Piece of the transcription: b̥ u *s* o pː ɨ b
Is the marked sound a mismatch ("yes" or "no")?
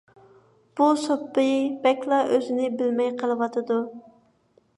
no